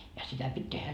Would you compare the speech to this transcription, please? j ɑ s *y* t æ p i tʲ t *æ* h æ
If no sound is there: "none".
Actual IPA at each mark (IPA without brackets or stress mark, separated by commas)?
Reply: i, e